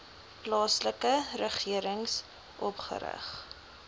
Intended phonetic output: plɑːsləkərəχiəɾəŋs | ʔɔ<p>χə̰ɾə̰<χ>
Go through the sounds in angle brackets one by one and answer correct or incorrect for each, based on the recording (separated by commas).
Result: correct, correct